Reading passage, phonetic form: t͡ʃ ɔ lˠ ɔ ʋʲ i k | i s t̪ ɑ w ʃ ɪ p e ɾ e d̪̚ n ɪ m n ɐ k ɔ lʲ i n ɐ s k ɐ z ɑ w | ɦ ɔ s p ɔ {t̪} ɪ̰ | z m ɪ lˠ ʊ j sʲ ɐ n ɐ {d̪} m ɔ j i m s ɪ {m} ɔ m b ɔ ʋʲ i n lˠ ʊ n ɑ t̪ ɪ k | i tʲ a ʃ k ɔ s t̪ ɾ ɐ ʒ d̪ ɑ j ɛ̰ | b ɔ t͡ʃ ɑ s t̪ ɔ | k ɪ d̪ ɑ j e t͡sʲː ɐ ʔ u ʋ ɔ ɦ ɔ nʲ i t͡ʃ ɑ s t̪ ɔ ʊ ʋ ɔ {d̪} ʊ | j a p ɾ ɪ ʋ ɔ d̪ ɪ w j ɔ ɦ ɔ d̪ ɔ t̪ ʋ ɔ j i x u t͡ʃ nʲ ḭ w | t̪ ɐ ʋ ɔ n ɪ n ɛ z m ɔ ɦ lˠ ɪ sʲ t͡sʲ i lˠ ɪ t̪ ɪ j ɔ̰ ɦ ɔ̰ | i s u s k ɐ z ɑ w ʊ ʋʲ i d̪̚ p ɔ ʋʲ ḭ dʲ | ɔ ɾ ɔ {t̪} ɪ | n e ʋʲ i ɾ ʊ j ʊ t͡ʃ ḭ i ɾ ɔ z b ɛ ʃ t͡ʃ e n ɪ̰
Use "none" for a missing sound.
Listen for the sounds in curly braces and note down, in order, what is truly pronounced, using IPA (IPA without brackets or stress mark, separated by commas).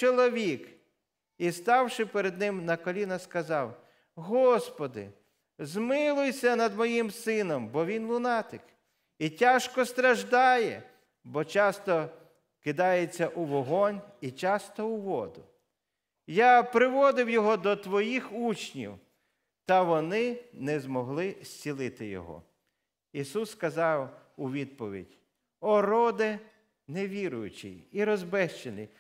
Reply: d̪, d̪, n, d̪, d̪